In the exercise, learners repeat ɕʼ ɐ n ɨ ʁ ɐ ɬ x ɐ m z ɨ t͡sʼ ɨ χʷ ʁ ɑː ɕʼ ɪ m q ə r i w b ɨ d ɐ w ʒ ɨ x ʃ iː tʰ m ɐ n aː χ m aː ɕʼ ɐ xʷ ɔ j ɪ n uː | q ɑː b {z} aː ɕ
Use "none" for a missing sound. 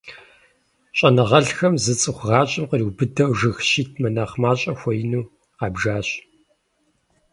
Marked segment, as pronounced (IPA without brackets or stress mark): ʒ